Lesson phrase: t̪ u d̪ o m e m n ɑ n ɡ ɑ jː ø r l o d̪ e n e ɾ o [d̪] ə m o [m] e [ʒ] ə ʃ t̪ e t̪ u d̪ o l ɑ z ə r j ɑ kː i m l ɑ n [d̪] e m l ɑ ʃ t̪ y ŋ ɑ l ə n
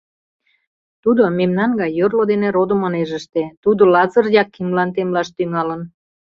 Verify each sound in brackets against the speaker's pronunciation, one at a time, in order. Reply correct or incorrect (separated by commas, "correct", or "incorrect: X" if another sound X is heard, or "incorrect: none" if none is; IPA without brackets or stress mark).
correct, incorrect: n, correct, incorrect: t̪